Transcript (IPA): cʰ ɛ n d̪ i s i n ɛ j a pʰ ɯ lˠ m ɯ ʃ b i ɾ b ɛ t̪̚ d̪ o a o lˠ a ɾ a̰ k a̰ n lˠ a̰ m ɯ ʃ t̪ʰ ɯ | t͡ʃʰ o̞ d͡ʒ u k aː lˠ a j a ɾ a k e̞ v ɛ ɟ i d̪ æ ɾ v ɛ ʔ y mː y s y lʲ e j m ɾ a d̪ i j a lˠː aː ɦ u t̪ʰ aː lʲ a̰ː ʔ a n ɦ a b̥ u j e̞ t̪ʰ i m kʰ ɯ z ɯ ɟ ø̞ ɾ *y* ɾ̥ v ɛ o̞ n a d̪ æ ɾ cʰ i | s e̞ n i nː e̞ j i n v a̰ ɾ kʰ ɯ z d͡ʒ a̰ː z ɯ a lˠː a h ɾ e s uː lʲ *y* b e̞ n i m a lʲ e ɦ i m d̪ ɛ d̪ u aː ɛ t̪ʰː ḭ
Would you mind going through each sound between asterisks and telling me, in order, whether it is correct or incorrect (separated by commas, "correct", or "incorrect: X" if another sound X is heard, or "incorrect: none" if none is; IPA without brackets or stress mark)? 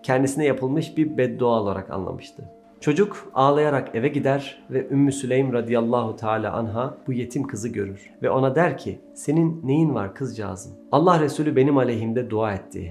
correct, correct